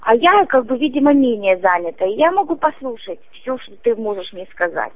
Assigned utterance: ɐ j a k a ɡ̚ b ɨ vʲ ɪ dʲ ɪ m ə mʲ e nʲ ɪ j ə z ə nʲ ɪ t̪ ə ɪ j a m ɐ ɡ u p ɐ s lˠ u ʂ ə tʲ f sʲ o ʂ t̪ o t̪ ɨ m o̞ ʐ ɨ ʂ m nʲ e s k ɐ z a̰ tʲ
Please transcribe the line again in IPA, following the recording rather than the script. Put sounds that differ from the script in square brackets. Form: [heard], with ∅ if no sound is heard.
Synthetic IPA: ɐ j a k a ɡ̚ b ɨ vʲ [i] dʲ ɪ m ə mʲ e nʲ ɪ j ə z [a] nʲ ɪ t̪ ə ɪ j a m ɐ ɡ u p ɐ s lˠ u ʂ ə tʲ f sʲ o ʂ t̪ o t̪ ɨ m o̞ ʐ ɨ ʂ m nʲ e s k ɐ z a̰ tʲ